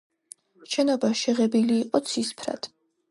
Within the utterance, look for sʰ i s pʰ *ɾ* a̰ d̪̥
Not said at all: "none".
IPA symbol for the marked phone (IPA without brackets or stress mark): ɾ